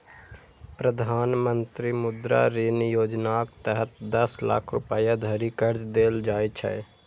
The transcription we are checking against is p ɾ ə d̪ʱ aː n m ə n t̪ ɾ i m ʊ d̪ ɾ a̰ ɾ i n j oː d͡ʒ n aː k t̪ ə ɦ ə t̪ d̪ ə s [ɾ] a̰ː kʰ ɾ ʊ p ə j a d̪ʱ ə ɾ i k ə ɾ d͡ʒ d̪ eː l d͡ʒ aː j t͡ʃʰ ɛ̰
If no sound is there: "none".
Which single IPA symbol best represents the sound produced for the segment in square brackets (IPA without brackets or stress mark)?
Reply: l